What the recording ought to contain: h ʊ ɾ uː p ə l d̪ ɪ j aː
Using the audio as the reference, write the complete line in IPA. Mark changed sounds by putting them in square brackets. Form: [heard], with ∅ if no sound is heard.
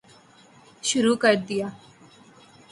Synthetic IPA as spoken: [ʃ] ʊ ɾ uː [k] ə [ɾ] d̪ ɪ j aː